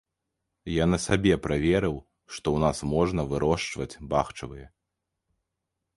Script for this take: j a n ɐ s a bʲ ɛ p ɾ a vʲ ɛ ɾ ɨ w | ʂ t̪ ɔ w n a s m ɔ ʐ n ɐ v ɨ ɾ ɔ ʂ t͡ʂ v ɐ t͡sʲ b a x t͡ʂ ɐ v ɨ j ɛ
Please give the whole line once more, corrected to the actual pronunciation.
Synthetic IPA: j a n ɐ s a bʲ ɛ p ɾ a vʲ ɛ ɾ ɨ w | ʂ t̪ ɔ w n a s m ɔ ʐ n ɐ v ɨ ɾ ɔ ʂ t͡ʂ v ɐ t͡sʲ b a x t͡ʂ ɐ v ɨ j ɛ